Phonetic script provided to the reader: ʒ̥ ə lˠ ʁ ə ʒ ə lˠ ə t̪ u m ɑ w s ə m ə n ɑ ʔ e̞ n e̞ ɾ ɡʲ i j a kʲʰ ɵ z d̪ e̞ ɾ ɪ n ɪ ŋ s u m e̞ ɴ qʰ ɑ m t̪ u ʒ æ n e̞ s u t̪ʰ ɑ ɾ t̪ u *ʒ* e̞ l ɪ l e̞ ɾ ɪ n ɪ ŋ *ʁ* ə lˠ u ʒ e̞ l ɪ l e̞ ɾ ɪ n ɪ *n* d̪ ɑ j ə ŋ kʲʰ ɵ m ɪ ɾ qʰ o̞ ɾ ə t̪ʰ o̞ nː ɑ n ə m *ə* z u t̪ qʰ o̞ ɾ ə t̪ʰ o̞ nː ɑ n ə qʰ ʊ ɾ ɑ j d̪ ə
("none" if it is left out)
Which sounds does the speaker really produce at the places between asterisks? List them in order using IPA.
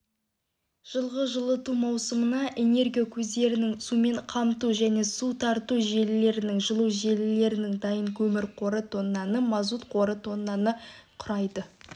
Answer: ʒ, ʒ, ŋ, ɑ

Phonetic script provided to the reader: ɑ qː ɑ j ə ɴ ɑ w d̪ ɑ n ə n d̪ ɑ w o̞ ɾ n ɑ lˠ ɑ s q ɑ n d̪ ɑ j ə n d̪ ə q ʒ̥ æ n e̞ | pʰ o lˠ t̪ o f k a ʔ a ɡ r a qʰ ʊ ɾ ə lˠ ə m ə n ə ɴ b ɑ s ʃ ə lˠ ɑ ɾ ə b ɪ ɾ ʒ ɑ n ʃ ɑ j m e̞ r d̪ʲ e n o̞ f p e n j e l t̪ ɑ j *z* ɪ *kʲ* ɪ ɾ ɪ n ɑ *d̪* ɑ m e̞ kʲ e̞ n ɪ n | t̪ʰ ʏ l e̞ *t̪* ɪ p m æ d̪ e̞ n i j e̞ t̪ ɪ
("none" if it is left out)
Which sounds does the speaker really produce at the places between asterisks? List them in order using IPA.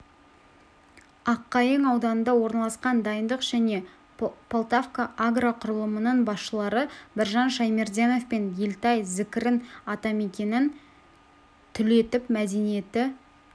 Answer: z, kʲ, t̪, t̪

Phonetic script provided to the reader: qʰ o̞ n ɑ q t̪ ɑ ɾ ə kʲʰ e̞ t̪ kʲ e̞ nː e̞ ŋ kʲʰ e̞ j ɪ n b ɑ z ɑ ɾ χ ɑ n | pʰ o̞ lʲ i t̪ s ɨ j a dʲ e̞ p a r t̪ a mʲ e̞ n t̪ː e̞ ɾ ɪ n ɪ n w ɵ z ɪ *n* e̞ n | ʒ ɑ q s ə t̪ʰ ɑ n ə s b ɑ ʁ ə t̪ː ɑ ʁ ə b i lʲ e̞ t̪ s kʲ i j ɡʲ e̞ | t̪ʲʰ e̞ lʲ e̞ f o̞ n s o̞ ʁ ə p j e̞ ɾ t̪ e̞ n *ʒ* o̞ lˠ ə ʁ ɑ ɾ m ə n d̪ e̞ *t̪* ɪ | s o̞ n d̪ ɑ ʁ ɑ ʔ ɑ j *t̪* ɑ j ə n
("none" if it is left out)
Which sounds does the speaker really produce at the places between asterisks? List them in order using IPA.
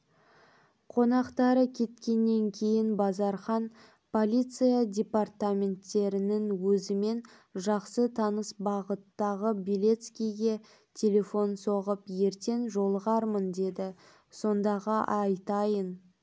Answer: m, ʒ, d̪, t̪

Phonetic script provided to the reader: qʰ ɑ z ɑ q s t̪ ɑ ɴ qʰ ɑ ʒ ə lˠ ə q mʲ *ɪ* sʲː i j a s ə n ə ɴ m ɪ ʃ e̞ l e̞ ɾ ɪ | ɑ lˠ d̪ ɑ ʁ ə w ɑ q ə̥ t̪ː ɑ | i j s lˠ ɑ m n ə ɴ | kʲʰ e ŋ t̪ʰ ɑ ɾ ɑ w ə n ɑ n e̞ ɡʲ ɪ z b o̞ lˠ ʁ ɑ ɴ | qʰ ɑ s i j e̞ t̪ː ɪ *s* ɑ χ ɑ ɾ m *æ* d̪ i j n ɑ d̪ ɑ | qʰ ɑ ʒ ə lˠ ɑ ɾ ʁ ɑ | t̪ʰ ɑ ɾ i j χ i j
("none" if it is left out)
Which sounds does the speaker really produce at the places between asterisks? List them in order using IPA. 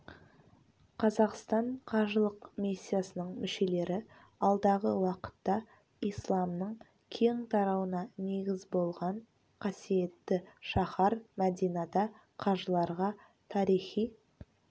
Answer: i, ʃ, æ

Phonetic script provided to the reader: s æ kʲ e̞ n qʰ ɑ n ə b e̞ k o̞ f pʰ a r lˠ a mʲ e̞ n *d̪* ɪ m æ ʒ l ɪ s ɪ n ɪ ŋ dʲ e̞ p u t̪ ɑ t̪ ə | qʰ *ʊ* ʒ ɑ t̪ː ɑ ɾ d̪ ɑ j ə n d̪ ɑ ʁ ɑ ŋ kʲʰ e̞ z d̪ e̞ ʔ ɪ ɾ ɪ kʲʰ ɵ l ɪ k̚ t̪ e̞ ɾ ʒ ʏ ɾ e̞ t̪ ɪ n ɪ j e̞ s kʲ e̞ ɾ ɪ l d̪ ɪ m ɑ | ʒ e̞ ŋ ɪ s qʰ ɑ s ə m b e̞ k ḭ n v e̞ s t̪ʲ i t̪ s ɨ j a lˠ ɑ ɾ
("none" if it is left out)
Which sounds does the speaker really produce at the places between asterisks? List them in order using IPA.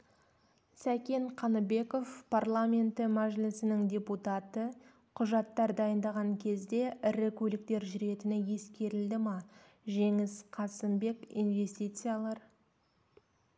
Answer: t̪, ʊ

